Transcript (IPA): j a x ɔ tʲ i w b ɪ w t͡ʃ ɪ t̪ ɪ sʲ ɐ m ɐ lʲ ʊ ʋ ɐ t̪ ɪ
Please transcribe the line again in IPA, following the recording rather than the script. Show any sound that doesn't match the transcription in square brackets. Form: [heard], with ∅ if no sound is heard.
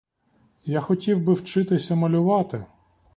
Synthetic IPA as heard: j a x ɔ tʲ i w b ɪ w t͡ʃ ɪ t̪ ɪ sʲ ɐ m ɐ lʲ ʊ ʋ [ɑ] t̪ ɪ